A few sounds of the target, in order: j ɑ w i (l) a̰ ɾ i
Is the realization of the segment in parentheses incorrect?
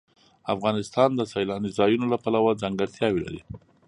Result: no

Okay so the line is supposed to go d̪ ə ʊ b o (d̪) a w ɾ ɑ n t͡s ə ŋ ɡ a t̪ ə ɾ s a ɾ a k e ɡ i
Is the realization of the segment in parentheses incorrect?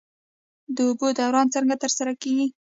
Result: no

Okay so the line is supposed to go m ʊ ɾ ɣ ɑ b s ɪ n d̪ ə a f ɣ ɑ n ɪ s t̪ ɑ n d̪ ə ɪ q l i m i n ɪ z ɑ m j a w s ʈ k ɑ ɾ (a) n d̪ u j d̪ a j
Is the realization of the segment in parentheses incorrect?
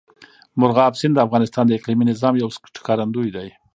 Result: no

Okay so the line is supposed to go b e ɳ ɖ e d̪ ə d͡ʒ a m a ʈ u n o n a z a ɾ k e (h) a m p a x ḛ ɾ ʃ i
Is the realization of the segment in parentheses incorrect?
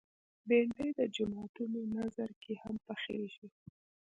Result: no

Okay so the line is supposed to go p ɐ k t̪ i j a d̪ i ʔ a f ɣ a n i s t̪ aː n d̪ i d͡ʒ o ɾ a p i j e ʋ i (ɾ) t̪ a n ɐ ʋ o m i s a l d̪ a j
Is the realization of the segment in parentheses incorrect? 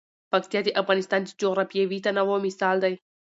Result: yes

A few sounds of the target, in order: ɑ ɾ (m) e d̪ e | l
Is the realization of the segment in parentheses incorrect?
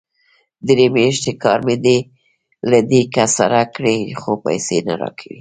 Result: no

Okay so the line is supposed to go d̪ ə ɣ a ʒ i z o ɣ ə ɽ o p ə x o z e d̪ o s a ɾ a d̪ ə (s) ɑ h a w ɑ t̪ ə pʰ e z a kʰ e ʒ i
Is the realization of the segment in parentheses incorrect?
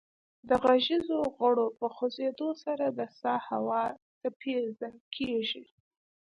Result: no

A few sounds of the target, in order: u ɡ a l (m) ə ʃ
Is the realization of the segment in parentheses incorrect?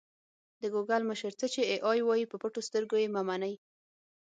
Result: no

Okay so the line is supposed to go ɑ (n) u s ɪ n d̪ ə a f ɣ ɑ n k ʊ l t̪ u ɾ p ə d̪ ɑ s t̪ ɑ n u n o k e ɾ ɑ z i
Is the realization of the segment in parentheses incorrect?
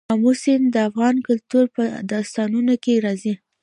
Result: yes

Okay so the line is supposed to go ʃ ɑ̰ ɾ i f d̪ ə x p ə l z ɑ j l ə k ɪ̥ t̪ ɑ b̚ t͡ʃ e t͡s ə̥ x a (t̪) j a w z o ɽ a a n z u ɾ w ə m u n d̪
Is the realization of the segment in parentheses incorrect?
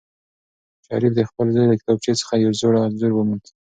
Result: yes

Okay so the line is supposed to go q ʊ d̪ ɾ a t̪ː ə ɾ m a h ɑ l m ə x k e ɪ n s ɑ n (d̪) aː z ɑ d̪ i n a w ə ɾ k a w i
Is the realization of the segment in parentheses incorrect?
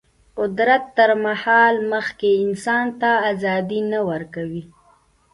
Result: yes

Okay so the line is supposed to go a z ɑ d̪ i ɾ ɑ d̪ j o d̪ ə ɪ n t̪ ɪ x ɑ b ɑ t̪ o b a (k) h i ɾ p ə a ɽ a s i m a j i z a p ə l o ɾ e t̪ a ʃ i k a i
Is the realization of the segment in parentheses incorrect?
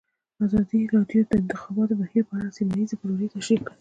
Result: yes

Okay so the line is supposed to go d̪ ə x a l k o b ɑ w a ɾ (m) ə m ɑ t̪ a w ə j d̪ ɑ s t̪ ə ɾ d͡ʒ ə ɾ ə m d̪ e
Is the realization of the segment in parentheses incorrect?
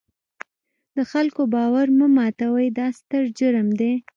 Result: no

